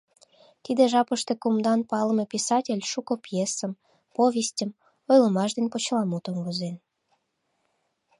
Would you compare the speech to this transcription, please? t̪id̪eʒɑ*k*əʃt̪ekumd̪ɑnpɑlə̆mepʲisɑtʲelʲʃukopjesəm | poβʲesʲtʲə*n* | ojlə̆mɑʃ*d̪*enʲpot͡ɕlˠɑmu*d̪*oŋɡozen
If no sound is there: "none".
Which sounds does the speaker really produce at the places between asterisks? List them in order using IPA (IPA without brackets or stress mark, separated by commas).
p, m, d̪, t̪